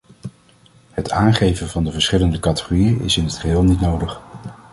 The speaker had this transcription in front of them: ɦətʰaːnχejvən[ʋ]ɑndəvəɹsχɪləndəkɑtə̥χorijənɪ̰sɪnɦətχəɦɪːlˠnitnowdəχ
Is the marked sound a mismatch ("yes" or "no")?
yes